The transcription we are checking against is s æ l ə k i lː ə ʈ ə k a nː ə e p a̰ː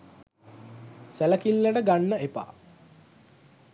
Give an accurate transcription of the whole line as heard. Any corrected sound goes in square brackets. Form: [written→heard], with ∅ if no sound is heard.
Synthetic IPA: s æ l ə k i lː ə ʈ ə [k→ɡ] a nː ə e p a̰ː